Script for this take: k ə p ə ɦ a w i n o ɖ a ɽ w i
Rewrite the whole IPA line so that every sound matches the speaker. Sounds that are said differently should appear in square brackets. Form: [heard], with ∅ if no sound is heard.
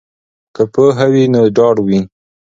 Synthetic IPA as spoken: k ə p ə ɦ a w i n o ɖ [ɑ] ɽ w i